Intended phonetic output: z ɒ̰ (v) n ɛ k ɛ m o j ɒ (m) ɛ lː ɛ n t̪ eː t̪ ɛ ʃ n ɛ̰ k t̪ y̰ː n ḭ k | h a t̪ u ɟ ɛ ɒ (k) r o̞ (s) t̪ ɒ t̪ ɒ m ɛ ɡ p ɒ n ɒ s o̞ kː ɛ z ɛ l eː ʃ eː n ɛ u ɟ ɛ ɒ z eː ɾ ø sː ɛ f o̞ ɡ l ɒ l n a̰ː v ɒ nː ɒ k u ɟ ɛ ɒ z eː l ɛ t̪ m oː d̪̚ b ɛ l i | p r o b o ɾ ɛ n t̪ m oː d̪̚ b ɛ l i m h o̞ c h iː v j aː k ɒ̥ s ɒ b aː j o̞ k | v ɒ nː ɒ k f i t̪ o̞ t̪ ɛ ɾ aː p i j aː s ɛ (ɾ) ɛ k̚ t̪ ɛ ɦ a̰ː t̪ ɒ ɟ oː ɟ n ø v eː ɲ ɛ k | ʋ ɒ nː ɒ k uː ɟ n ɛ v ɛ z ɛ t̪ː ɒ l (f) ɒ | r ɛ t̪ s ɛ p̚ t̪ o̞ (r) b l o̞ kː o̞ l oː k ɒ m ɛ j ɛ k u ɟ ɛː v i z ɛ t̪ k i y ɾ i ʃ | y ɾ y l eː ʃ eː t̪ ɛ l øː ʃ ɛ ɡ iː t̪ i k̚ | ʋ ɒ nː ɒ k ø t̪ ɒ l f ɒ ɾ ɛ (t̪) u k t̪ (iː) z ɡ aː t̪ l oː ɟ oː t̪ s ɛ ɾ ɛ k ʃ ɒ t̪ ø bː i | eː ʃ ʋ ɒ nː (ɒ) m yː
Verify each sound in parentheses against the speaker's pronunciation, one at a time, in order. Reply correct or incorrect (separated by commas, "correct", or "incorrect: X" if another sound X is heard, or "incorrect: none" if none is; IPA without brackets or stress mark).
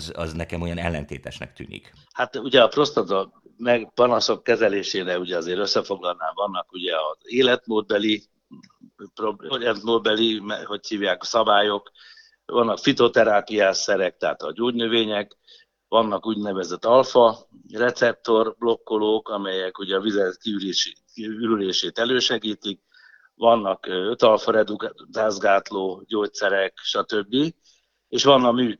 incorrect: z, incorrect: n, incorrect: p, correct, correct, correct, correct, incorrect: d̪, incorrect: aː, correct